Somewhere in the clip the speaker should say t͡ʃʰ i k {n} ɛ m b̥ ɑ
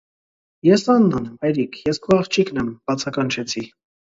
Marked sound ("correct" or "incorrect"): correct